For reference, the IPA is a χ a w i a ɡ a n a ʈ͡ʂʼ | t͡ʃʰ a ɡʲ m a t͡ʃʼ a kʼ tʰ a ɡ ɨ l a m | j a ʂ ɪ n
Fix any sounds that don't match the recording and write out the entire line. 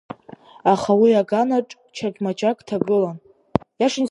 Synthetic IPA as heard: a χ a w i a ɡ a n a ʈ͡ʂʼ | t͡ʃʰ a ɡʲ m a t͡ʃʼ a kʼ tʰ a ɡ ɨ l a n | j a ʂ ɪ n